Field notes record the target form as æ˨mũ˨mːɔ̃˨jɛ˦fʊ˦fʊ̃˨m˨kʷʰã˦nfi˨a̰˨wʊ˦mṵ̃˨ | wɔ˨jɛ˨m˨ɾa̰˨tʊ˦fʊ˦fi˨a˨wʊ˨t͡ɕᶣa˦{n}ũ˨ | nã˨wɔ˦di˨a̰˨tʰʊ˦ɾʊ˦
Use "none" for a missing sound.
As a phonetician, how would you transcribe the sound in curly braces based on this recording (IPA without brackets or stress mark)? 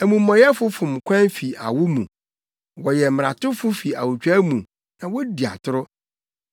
m